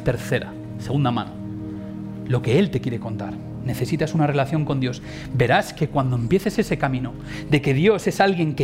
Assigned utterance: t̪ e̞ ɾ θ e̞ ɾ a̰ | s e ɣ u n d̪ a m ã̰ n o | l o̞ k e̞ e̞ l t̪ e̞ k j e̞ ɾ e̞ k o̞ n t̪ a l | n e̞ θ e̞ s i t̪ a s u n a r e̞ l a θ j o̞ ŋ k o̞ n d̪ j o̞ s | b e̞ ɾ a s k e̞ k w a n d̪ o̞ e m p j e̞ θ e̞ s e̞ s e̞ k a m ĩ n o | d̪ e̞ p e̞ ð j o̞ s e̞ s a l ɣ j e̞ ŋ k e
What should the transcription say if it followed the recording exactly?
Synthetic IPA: t̪ e̞ ɾ θ e̞ ɾ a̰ | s e ɣ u n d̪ a m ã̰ n o | l o̞ k e̞ e̞ l t̪ e̞ k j e̞ ɾ e̞ k o̞ n t̪ a ɾ | n e̞ θ e̞ s i t̪ a s u n a r e̞ l a θ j o̞ ŋ k o̞ n d̪ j o̞ s | b e̞ ɾ a s k e̞ k w a n d̪ o̞ e m p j e̞ θ e̞ s e̞ s e̞ k a m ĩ n o | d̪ e̞ k e̞ ð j o̞ s e̞ s a l ɣ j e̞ ŋ k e